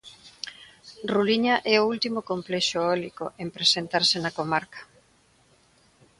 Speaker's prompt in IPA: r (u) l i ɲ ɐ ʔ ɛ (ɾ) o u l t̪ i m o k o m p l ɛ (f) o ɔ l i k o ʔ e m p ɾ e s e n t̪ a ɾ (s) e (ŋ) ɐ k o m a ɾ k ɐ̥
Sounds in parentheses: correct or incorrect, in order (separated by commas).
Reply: correct, incorrect, incorrect, correct, incorrect